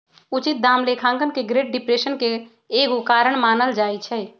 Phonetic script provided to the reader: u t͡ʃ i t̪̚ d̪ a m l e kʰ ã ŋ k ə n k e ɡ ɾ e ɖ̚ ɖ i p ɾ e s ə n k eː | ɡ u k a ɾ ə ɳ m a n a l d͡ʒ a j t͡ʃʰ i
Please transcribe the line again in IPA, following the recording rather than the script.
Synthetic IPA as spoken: u t͡ʃ i t̪̚ d̪ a m l e kʰ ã ŋ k ə n k e ɡ ɾ e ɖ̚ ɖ i p ɾ e s ə n k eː | ɡ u k a ɾ ə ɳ m a n ə l d͡ʒ a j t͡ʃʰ ɛ